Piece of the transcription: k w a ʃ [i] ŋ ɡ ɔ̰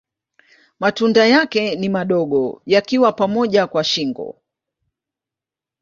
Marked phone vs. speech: correct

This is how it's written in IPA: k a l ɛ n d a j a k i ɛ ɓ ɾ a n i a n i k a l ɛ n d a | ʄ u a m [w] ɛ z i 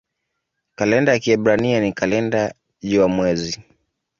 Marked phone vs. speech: correct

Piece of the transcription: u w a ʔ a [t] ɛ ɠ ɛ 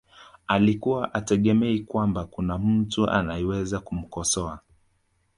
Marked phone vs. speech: correct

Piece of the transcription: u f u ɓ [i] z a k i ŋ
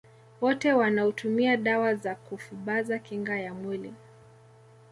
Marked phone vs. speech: incorrect: a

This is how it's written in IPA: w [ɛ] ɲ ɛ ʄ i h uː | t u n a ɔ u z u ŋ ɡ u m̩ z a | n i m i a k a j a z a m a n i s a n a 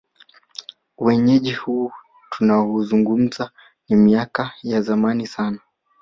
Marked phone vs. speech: correct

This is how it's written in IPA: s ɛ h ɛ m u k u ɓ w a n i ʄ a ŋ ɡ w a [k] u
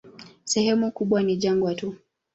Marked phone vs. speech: incorrect: t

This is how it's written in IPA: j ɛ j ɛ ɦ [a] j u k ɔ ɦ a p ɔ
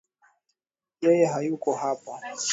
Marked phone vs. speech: correct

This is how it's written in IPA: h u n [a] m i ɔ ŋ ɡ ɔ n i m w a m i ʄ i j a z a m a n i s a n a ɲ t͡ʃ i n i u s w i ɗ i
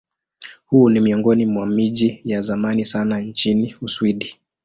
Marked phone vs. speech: incorrect: i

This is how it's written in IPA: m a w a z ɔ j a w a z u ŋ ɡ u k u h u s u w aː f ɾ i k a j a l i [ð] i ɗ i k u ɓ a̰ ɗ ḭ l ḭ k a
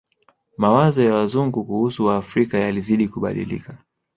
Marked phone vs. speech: incorrect: z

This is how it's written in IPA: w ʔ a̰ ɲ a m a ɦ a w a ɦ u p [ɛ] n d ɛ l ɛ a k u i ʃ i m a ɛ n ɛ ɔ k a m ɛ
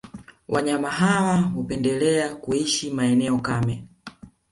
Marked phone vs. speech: correct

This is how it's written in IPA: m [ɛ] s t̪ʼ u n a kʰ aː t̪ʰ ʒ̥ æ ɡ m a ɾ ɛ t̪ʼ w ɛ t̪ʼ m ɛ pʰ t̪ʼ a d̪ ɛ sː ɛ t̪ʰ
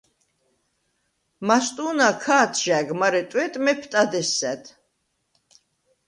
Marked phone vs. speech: incorrect: a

